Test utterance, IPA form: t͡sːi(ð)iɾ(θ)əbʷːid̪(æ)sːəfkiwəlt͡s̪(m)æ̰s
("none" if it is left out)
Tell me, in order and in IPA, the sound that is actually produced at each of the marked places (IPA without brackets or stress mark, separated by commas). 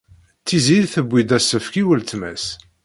z, θ, æ, m